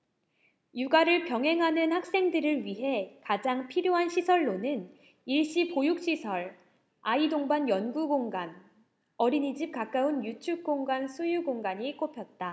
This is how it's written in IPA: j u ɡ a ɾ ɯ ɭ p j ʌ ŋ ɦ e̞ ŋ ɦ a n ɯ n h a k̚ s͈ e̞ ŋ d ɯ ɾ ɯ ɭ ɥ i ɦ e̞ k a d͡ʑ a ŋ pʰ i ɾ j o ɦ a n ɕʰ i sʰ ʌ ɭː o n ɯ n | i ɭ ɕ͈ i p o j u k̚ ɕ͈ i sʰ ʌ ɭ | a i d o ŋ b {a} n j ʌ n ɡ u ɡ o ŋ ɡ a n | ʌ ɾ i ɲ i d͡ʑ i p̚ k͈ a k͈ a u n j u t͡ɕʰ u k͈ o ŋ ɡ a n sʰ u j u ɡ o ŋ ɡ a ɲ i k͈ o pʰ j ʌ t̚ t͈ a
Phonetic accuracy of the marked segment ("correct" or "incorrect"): correct